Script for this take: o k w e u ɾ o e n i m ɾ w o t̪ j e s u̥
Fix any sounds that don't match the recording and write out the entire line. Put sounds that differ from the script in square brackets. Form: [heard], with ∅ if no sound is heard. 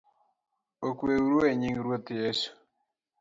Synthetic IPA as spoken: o k w e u ɾ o e [ɲ] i [ŋ] ɾ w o t̪ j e s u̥